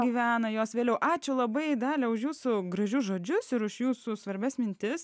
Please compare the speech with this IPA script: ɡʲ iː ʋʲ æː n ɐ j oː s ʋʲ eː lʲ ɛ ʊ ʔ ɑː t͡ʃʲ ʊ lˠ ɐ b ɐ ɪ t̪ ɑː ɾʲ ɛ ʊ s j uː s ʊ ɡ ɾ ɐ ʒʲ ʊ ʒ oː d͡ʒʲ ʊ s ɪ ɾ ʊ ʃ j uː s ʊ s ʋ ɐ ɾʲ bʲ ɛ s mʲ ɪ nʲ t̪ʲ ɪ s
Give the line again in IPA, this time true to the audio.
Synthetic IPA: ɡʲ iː ʋʲ æː n ɐ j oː s ʋʲ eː lʲ ɛ ʊ ʔ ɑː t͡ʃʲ ʊ lˠ ɐ b ɐ ɪ d̪ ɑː lʲ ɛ ʊ ʃ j uː s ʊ ɡ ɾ ɐ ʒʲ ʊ ʒ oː d͡ʒʲ ʊ s ɪ ɾ ʊ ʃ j uː s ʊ s ʋ ɐ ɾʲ bʲ ɛ s mʲ ɪ nʲ t̪ʲ ɪ s